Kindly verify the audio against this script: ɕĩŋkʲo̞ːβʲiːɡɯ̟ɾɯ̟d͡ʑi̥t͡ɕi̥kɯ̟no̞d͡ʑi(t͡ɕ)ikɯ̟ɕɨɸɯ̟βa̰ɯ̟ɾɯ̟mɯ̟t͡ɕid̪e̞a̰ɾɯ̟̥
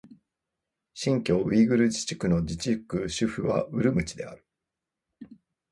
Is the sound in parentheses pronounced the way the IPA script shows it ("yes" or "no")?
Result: yes